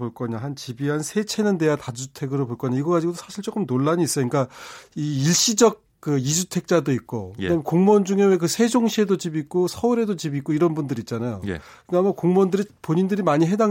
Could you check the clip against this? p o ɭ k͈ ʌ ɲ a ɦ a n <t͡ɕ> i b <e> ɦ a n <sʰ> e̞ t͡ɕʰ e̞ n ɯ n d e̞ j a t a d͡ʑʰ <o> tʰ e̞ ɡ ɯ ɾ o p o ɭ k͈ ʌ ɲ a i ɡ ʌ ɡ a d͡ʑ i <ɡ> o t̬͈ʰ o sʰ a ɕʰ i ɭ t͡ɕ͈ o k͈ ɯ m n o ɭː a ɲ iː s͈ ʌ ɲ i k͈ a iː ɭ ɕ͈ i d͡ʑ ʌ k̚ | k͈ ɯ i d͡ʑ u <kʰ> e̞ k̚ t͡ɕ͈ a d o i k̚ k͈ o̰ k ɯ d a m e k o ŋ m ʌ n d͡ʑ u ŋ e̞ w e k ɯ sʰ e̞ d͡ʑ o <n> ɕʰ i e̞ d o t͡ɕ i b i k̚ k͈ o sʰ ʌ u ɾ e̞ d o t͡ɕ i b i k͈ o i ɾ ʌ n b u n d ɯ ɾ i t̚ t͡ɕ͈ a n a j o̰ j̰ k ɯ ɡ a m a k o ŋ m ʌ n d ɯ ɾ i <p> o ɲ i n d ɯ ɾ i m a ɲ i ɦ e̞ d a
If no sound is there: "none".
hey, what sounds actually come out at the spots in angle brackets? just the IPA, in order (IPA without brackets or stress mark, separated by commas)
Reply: t͡ɕ, i, sʰ, u, ɡ, tʰ, ŋ, p